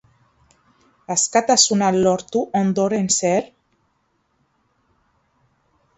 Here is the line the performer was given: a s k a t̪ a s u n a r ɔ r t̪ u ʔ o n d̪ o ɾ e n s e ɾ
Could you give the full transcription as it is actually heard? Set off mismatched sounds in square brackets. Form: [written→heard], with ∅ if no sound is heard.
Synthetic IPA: a s k a t̪ a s u n a [r→l] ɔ [r→ɾ] t̪ u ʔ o n d̪ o ɾ e n s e ɾ